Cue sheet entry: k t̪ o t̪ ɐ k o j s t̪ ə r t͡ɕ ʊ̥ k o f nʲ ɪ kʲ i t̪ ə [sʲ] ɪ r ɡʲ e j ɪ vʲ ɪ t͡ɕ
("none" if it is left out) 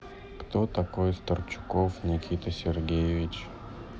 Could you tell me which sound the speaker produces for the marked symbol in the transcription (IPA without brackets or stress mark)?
sʲ